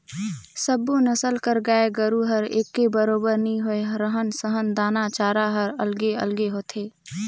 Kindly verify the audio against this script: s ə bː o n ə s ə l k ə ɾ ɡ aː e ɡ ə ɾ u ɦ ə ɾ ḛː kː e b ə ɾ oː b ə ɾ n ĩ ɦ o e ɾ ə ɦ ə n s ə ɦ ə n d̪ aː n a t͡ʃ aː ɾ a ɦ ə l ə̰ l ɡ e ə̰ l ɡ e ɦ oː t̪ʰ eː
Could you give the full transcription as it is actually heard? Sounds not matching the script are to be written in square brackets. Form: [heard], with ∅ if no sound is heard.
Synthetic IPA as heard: s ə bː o n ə s ə l k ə ɾ ɡ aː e ɡ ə ɾ u ɦ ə ɾ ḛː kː e b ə ɾ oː b ə ɾ n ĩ ɦ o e ɾ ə ɦ ə n s ə ɦ ə n d̪ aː n a t͡ʃ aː ɾ a ɦ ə [ɾ] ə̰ l ɡ e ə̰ l ɡ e ɦ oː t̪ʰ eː